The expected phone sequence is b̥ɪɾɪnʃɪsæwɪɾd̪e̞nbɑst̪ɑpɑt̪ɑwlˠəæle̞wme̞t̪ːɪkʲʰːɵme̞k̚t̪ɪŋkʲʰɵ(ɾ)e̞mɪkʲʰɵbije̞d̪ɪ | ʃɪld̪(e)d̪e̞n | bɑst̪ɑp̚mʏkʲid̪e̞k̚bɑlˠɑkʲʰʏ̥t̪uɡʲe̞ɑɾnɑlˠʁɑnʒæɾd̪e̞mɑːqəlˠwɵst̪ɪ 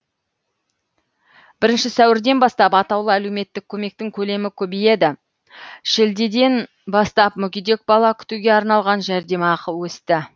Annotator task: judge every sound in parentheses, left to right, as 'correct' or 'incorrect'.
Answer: incorrect, correct

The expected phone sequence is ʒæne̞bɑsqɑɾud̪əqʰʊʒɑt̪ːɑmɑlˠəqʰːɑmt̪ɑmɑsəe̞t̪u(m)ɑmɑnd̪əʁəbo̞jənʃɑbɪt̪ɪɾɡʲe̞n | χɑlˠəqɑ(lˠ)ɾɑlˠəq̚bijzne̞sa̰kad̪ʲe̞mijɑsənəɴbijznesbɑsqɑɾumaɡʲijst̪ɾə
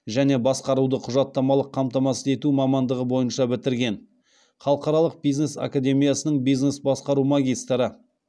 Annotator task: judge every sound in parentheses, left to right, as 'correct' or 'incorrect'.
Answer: correct, incorrect

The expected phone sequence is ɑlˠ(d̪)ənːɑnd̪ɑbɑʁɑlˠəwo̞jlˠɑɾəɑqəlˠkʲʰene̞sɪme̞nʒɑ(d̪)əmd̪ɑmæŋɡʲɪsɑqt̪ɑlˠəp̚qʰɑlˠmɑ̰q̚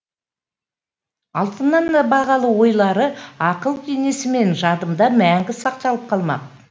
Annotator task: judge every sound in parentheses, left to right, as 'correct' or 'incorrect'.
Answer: incorrect, correct

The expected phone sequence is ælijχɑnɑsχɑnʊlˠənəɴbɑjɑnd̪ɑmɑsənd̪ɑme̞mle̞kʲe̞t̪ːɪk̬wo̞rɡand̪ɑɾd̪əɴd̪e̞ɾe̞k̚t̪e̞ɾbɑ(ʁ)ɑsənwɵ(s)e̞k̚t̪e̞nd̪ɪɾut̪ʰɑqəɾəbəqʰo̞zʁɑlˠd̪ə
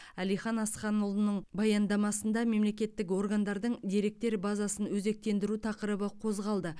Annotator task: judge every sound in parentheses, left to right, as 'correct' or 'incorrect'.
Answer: incorrect, incorrect

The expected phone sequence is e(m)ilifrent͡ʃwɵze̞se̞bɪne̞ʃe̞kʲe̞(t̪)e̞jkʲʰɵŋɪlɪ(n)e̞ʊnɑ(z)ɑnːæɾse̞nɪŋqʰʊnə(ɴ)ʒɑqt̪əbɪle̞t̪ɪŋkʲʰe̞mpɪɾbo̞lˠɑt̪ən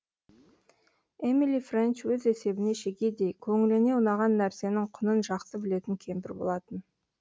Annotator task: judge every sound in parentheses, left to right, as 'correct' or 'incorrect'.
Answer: correct, incorrect, correct, incorrect, incorrect

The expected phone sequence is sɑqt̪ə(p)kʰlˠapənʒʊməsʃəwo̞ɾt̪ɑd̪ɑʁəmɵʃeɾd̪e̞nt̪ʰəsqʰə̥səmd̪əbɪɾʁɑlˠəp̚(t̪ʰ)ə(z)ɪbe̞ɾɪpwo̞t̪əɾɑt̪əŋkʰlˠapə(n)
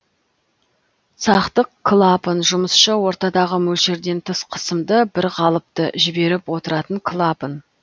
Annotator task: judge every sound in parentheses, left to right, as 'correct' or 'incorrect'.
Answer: incorrect, incorrect, incorrect, correct

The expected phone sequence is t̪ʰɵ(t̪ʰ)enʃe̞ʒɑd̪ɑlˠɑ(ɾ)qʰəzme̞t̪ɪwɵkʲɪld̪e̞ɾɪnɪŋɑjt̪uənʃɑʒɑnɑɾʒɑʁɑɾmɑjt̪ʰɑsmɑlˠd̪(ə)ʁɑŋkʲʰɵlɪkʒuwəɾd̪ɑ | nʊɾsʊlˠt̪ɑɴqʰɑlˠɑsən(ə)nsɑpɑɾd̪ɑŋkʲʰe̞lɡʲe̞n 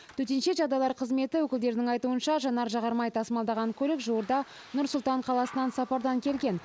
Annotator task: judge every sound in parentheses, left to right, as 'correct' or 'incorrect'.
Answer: incorrect, correct, incorrect, incorrect

